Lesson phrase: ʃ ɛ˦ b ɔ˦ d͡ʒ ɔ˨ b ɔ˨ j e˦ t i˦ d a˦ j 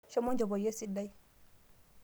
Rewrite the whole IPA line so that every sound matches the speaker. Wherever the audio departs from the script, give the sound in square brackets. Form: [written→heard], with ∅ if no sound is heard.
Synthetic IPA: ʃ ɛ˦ [b→m] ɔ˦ d͡ʒ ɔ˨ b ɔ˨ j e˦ [t→s] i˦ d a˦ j